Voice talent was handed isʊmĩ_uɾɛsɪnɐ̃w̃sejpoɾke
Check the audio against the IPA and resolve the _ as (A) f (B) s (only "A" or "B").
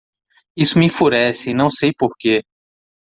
A